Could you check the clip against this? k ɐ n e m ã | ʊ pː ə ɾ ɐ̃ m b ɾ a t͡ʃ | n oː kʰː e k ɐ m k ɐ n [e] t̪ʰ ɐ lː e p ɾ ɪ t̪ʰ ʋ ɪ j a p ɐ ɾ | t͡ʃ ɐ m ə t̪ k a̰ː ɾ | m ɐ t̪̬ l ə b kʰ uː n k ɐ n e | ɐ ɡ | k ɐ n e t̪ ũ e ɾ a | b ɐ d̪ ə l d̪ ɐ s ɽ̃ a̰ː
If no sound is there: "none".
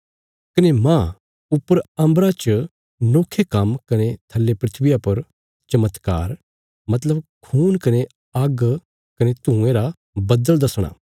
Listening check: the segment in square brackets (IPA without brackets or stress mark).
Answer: e